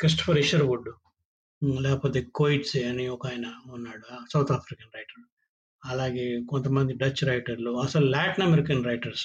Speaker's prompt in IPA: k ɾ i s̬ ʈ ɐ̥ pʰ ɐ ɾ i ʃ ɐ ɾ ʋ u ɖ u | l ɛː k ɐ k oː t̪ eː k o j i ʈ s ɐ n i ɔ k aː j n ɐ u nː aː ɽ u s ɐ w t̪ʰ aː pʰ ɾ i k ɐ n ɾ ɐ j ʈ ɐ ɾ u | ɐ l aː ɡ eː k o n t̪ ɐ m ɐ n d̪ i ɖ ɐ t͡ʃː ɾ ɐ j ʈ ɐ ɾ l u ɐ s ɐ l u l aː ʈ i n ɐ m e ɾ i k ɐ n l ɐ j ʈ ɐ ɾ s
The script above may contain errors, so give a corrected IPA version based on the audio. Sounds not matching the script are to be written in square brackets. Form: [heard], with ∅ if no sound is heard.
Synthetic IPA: k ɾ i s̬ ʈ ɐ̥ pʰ ɐ ɾ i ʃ ɐ ɾ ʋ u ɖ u | l ɛː k ɐ [p] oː t̪ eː k o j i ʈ s ɐ n i ɔ k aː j n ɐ u nː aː ɽ u s ɐ w t̪ʰ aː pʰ ɾ i k ɐ n ɾ ɐ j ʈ ɐ ɾ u | ɐ l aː ɡ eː k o n t̪ ɐ m ɐ n d̪ i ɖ ɐ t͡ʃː ɾ ɐ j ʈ ɐ ɾ l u ɐ s ɐ l u l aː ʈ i n ɐ m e ɾ i k ɐ n [ɾ] ɐ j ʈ ɐ ɾ s